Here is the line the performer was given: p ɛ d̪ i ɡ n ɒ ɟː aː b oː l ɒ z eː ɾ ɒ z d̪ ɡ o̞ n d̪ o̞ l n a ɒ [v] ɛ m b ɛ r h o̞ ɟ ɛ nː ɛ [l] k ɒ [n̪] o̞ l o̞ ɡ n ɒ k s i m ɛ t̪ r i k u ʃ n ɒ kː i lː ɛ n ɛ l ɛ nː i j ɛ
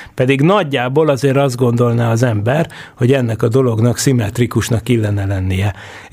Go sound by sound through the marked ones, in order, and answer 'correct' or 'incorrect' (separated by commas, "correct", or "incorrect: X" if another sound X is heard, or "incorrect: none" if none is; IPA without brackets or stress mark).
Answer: incorrect: z, incorrect: none, incorrect: d̪